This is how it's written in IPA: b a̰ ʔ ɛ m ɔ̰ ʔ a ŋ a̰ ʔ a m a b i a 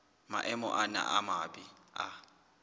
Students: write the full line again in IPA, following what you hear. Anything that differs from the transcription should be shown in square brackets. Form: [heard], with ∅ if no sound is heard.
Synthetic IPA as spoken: [m] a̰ ʔ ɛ m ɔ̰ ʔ a [n] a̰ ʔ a m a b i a